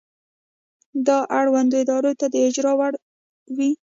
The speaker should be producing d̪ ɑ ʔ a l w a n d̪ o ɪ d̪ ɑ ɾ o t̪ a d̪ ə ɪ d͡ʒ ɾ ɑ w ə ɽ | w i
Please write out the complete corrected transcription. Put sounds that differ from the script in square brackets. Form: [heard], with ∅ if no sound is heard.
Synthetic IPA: d̪ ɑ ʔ a [ɽ] w a n d̪ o ɪ d̪ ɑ ɾ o t̪ a d̪ ə ɪ d͡ʒ ɾ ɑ w [a] ɽ | w i